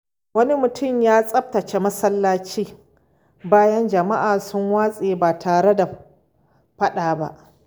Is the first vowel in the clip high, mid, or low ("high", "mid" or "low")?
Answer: low